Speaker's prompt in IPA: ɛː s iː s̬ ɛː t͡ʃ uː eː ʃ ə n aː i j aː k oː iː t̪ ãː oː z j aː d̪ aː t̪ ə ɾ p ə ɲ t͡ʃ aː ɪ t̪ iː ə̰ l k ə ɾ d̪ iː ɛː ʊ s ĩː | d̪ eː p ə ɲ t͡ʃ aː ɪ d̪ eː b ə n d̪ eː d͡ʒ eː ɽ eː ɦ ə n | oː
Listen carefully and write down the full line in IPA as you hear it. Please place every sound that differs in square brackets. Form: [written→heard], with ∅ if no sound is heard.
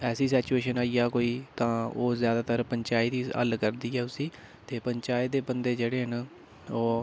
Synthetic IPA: ɛː s iː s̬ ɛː t͡ʃ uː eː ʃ ə n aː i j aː k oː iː t̪ ãː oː z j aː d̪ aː t̪ ə ɾ p ə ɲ t͡ʃ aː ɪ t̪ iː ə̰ l k ə ɾ d̪ iː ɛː ʊ s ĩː | [d̪→t̪] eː p ə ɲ t͡ʃ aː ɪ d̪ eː b ə n d̪ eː d͡ʒ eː ɽ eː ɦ ə n | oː

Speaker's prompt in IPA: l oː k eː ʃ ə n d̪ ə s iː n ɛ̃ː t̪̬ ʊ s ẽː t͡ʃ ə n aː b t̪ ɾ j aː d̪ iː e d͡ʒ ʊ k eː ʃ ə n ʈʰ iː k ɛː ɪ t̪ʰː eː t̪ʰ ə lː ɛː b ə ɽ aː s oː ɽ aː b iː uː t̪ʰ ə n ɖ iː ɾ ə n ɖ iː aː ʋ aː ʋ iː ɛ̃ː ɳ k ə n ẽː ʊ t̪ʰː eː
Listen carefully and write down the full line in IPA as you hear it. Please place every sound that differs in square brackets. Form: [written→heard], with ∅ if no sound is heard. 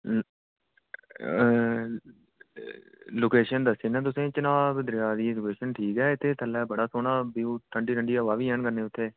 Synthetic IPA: l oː k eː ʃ ə n d̪ ə s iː n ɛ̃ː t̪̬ ʊ s ẽː t͡ʃ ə n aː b [t̪→d̪] ɾ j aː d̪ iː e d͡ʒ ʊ k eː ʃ ə n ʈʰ iː k ɛː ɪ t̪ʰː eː t̪ʰ ə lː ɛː b ə ɽ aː s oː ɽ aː b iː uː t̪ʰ ə [n→ɳ] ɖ iː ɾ ə [n→ɳ] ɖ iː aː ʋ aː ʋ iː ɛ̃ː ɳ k ə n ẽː ʊ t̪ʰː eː

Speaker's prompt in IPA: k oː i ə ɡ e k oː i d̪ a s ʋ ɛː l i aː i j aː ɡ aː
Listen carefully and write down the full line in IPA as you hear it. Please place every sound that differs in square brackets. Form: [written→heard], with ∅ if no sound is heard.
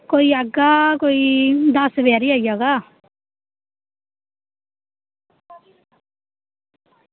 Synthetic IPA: k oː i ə ɡ [e→a] k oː i d̪ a s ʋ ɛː [l→ɾ] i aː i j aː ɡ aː

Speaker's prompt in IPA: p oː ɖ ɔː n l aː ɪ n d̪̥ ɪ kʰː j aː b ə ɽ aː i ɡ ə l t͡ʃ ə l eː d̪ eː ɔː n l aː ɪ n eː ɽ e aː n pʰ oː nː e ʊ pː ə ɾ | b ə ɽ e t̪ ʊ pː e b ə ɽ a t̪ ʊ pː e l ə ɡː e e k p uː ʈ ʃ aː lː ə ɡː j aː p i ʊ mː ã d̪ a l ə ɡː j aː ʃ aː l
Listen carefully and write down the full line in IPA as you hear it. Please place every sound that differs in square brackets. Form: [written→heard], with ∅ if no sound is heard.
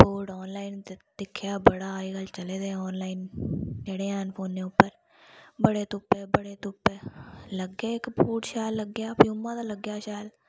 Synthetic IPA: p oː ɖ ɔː n l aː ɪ n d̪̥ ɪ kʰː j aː b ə ɽ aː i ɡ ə l t͡ʃ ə l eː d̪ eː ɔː n l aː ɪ n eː ɽ e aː n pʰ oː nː e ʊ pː ə ɾ | b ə ɽ e t̪ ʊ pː e b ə ɽ [a→e] t̪ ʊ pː e l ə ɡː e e k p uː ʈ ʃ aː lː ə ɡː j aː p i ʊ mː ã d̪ a l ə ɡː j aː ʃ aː l

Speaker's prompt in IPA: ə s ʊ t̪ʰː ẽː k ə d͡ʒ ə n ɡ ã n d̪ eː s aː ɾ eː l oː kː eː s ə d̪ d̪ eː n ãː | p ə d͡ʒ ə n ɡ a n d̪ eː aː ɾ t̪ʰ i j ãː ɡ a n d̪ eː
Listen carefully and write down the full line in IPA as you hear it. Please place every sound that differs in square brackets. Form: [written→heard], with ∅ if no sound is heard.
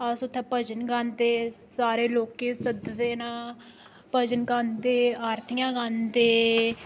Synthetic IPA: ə s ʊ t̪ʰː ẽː [k→p] ə d͡ʒ ə n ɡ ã n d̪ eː s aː ɾ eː l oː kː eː s ə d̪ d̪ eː n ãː | p ə d͡ʒ ə n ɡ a n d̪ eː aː ɾ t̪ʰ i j ãː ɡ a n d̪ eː

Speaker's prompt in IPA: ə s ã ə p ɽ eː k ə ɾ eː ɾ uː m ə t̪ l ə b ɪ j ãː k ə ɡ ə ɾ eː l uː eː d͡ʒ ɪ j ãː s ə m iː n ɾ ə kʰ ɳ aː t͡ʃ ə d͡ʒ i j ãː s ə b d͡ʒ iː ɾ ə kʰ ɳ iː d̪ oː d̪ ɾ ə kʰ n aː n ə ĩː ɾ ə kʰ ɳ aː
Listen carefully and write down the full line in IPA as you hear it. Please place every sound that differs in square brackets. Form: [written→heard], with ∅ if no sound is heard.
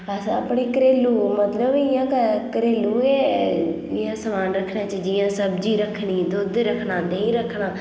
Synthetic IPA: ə s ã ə p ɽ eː k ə ɾ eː [ɾ→l] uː m ə t̪ l ə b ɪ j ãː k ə [ɡ→k] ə ɾ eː l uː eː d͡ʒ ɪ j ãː s ə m [iː→aː] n ɾ ə kʰ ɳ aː t͡ʃ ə d͡ʒ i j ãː s ə b d͡ʒ iː ɾ ə kʰ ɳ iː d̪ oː d̪ ɾ ə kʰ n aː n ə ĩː ɾ ə kʰ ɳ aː

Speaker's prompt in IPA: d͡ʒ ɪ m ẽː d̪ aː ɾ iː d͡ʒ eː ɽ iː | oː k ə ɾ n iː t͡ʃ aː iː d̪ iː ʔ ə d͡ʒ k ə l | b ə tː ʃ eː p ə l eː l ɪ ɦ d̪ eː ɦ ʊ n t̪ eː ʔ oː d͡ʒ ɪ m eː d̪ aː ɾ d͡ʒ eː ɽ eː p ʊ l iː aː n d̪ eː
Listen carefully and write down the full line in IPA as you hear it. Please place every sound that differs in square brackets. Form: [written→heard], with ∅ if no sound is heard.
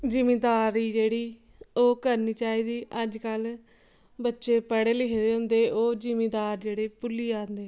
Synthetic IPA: d͡ʒ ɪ m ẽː d̪ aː ɾ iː d͡ʒ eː ɽ iː | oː k ə ɾ n iː t͡ʃ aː iː d̪ iː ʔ ə d͡ʒ k ə l | b ə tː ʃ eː p ə [l→ɽ] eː l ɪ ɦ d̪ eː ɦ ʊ n [t̪→d̪] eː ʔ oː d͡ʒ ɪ m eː d̪ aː ɾ d͡ʒ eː ɽ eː p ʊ l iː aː n d̪ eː

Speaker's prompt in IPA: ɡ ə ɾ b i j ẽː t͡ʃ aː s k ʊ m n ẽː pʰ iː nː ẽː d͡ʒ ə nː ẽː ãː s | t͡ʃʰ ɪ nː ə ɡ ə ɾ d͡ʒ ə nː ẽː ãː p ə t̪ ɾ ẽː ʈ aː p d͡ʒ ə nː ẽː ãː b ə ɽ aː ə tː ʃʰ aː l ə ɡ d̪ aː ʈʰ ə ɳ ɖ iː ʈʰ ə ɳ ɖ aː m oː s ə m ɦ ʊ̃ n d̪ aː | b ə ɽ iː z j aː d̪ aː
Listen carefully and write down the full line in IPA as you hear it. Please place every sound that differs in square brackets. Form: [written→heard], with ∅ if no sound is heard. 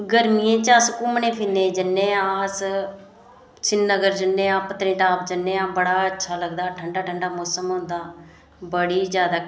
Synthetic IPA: ɡ ə ɾ [b→m] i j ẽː t͡ʃ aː s k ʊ m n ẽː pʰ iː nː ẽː d͡ʒ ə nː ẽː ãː s | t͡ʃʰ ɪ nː ə ɡ ə ɾ d͡ʒ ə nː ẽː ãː p ə t̪ ɾ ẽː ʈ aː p d͡ʒ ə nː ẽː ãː b ə ɽ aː ə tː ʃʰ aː l ə ɡ d̪ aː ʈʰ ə ɳ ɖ [iː→aː] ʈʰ ə ɳ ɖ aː m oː s ə m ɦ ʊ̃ n d̪ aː | b ə ɽ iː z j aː d̪ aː

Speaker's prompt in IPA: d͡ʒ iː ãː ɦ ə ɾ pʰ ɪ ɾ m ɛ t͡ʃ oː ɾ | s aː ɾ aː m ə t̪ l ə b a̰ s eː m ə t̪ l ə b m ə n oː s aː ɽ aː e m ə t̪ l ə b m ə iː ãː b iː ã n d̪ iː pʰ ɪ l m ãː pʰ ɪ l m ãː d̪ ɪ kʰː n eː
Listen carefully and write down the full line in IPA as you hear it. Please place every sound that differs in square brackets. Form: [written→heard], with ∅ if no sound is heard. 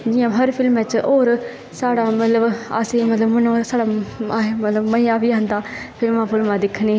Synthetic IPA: d͡ʒ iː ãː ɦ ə ɾ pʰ ɪ [ɾ→l] m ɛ t͡ʃ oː ɾ | s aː [ɾ→ɽ] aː m ə t̪ l ə b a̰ s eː m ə t̪ l ə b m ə n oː s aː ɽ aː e m ə t̪ l ə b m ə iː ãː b iː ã n d̪ [iː→aː] pʰ ɪ l m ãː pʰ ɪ l m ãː d̪ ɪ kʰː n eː

